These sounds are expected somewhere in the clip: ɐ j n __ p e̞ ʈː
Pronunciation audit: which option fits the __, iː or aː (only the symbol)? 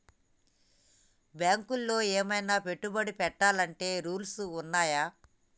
aː